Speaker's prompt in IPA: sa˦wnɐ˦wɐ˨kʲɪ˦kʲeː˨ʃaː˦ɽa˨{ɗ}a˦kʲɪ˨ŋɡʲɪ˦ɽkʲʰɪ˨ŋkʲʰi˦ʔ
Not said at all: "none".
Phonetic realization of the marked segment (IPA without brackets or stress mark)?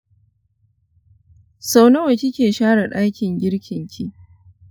ɗ